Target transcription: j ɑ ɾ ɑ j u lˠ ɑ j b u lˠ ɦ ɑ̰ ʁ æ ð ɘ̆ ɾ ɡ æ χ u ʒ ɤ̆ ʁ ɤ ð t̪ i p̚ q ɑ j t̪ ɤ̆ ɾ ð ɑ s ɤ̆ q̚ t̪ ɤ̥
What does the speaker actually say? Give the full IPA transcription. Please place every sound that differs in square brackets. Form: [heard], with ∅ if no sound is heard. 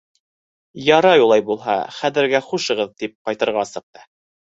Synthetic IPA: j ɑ ɾ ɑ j u lˠ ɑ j b u lˠ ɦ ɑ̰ [χ] æ ð ɘ̆ ɾ ɡ æ χ u [ʃ] ɤ̆ ʁ ɤ ð t̪ i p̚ q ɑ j t̪ ɤ̆ ɾ [ʁ] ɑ s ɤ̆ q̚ t̪ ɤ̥